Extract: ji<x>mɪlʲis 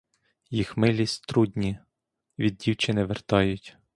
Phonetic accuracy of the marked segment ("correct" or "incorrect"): correct